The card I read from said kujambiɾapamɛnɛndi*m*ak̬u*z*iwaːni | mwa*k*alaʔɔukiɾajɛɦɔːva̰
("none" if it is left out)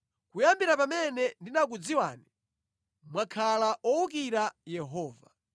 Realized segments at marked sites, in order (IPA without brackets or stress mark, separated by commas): n, d͡z, kʰ